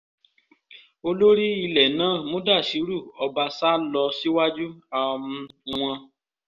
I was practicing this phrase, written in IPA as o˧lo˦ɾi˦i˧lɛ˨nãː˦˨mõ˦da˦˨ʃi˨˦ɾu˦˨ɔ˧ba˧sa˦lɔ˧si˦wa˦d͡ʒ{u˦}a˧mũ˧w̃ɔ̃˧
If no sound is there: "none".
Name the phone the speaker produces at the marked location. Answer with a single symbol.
u˦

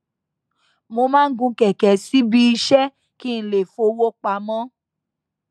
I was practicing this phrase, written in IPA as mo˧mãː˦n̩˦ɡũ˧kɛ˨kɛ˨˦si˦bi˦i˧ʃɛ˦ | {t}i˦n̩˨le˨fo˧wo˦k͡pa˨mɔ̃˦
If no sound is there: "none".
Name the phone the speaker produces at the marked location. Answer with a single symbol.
k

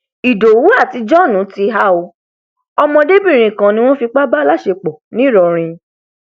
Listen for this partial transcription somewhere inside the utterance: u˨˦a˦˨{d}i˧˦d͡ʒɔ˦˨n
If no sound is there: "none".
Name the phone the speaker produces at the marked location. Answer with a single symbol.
t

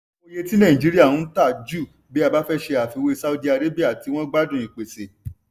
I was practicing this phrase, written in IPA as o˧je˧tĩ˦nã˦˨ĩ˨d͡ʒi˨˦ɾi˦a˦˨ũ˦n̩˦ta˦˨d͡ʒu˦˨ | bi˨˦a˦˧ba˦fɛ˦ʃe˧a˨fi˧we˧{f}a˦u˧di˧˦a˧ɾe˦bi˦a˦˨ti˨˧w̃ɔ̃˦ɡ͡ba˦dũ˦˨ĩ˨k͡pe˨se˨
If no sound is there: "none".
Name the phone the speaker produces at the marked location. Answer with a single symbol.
s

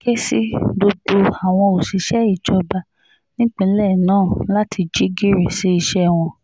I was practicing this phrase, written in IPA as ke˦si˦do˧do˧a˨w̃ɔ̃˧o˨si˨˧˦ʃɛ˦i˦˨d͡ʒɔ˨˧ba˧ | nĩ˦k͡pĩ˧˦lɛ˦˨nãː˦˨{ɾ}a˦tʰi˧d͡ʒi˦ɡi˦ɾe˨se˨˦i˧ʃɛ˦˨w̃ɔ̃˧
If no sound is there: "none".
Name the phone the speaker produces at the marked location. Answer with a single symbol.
l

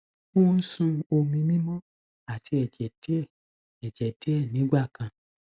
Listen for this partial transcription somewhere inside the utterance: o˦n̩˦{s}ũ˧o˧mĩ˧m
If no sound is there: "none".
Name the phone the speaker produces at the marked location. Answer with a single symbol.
s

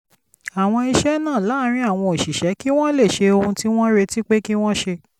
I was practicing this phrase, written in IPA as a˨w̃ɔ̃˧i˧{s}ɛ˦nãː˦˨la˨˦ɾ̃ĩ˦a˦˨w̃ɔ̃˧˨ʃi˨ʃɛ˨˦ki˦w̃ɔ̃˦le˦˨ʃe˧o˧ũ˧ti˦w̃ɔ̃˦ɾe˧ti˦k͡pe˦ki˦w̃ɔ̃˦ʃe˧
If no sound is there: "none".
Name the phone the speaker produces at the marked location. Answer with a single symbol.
ʃ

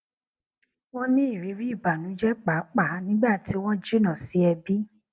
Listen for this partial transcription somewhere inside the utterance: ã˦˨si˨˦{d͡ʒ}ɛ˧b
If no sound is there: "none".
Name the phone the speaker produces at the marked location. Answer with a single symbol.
none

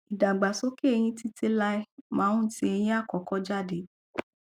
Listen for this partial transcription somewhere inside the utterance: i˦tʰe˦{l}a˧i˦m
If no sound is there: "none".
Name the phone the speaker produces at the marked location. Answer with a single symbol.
l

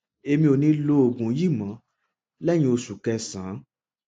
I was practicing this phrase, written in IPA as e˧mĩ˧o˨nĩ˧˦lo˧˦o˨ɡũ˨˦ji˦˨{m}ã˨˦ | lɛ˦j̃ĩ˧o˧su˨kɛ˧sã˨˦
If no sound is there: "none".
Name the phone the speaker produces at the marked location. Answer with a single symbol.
m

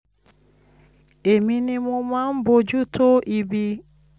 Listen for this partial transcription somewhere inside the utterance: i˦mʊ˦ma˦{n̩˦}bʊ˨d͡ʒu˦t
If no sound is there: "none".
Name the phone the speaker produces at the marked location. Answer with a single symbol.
m̩˦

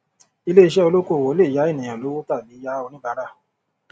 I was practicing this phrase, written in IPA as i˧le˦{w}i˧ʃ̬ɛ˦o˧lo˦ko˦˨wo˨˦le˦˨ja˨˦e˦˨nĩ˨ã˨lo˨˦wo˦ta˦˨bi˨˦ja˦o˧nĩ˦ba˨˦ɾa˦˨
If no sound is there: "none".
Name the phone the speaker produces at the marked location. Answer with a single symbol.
none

